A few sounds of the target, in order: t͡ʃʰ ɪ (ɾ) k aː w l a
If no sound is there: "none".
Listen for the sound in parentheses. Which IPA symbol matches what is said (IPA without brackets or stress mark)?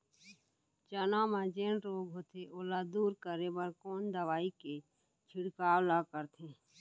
ɽ